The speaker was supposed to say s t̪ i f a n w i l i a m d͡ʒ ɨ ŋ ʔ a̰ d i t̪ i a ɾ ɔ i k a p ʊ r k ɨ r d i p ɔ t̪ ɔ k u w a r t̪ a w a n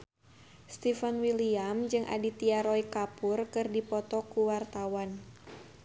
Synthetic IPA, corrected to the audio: s t̪ i f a n w i l i a m d͡ʒ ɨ ŋ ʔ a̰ d i t̪ i a ɾ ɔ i k a p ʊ r k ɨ r d i p ɔ t̪ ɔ k u w a r t̪ a w a n